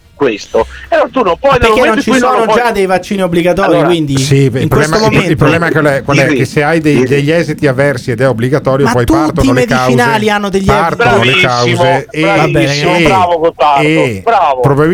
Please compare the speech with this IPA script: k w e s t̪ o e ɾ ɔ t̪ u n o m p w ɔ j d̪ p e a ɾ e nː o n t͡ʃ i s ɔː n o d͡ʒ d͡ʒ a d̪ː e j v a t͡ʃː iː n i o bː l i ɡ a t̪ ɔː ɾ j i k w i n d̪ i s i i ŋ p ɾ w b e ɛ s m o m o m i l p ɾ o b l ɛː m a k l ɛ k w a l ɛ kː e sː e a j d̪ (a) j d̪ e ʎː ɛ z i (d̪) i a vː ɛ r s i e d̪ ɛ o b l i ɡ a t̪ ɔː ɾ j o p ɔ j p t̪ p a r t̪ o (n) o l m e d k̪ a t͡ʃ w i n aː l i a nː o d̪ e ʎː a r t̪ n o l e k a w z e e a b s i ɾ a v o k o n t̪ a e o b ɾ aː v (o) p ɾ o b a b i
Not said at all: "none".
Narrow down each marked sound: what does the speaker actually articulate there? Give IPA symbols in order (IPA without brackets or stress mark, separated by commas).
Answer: e, t̪, n, o